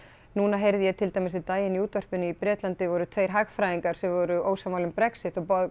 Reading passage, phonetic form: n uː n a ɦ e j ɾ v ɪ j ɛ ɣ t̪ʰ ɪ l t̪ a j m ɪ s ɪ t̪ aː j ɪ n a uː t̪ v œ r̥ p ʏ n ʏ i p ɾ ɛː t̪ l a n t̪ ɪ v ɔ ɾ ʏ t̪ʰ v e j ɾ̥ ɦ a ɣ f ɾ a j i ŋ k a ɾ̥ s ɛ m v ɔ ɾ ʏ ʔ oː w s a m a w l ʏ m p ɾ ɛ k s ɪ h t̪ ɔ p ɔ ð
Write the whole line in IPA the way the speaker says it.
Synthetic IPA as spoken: n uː n a ɦ e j ɾ ð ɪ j ɛ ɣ t̪ʰ ɪ l t̪ a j m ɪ s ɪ t̪ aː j ɪ n i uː t̪ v œ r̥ p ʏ n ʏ i p ɾ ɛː t̪ l a n t̪ ɪ v ɔ ɾ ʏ t̪ʰ v e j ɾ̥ ɦ a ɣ f ɾ a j i ŋ k a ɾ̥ s ɛ m v ɔ ɾ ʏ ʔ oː w s a m a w l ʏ m p ɾ ɛ k s ɪ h t̪ ɔ p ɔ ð